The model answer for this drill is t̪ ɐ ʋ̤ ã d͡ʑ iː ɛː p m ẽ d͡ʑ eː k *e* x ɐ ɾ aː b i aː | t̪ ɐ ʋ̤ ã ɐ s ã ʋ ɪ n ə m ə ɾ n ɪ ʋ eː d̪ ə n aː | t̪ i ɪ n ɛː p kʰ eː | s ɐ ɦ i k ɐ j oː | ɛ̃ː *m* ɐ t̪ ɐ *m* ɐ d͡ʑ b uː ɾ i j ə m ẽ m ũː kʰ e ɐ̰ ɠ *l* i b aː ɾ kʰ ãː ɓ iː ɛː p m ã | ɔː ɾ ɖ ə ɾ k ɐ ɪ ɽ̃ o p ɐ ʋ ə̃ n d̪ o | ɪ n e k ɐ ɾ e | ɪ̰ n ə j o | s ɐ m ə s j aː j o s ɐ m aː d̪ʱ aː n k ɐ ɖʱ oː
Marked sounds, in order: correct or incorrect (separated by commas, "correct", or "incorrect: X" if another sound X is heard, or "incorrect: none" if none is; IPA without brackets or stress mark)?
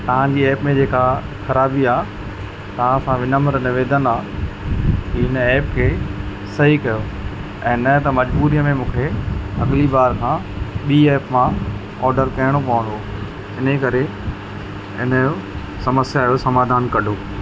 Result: incorrect: a, incorrect: n, correct, correct